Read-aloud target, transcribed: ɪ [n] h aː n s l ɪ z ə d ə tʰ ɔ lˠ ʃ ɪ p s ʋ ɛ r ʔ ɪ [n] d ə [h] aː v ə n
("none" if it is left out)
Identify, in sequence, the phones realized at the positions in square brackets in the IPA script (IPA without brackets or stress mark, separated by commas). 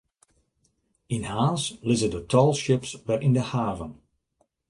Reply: n, n, h